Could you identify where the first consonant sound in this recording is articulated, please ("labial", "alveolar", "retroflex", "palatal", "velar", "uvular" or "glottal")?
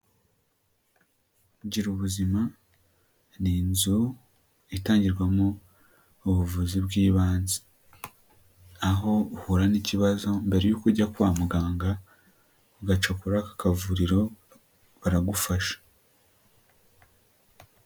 palatal